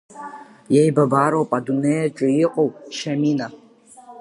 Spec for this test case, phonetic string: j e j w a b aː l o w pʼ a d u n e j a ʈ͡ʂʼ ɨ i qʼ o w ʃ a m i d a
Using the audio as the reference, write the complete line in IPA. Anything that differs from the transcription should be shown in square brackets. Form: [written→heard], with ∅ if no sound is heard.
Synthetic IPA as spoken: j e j [w→b] a b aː [l→ɾ] o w pʼ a d u n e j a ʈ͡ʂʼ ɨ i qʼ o w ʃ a m i [d→n] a